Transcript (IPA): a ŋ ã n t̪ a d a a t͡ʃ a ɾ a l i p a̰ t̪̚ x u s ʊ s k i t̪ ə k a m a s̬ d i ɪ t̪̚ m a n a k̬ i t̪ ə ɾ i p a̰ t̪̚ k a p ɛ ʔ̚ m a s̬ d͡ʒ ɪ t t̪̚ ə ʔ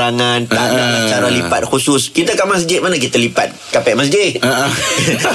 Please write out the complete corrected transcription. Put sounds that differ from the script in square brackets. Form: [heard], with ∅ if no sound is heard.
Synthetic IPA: a ŋ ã n t̪ a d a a t͡ʃ a ɾ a l i p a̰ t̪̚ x u s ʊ s k i t̪ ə k a m a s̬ [d͡ʒ] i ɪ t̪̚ m a n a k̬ i t̪ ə [l] i p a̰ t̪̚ k a p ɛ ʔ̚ m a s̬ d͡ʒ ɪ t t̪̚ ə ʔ